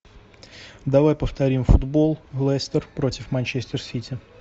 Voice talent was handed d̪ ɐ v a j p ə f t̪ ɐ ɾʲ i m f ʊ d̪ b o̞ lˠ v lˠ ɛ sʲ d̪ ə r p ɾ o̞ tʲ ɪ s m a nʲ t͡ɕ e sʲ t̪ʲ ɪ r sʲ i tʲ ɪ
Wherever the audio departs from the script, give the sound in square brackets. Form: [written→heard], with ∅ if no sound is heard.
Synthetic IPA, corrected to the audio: d̪ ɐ v a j p ə f t̪ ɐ ɾʲ i m f ʊ d̪ b o̞ lˠ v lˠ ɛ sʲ [d̪→t̪] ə r p ɾ o̞ tʲ ɪ [s→f] m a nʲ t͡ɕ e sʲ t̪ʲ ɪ r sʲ i tʲ ɪ